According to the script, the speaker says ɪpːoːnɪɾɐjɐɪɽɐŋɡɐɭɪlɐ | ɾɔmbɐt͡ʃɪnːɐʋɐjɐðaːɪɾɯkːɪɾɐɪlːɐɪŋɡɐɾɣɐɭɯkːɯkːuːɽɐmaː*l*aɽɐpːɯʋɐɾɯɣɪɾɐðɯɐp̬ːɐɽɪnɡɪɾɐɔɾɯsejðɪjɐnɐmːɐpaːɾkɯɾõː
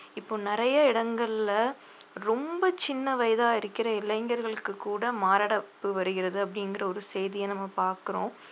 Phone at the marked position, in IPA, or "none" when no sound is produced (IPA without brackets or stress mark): ɾ